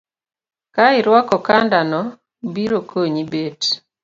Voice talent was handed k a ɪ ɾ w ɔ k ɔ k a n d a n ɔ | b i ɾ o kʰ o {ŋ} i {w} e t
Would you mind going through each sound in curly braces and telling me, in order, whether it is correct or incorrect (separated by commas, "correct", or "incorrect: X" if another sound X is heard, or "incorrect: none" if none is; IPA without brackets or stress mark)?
incorrect: ɲ, incorrect: b